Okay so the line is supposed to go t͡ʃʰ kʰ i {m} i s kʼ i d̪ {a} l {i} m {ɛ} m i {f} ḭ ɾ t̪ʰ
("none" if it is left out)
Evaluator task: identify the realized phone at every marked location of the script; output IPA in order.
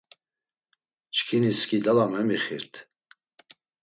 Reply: n, a, a, ɛ, χ

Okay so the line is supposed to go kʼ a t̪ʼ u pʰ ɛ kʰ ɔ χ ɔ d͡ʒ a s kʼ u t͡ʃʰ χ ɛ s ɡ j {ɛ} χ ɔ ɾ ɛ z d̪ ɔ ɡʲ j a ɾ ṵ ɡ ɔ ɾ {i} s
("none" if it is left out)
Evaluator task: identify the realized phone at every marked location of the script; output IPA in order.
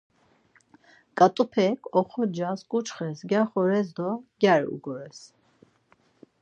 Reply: a, ɛ

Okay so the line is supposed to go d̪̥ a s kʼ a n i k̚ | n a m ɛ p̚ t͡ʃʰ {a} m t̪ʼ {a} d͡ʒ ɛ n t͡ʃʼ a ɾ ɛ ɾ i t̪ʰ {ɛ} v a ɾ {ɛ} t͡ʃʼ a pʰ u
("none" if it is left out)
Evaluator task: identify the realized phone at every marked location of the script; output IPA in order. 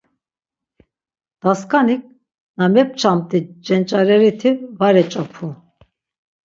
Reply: a, i, i, ɛ

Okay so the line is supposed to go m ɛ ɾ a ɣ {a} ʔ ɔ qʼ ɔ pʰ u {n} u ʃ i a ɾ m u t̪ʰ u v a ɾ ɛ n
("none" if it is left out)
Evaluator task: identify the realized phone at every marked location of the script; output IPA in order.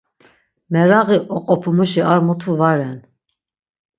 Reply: i, m

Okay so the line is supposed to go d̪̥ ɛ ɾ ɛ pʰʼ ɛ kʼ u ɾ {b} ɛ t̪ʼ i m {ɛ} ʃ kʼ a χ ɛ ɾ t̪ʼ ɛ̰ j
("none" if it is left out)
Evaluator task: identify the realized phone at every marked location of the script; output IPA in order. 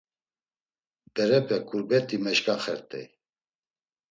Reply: b, ɛ

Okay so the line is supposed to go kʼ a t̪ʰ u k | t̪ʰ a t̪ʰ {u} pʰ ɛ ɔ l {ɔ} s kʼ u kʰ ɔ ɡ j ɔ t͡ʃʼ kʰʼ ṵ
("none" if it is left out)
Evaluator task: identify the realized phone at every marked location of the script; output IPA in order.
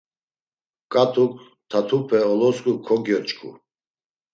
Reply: u, ɔ

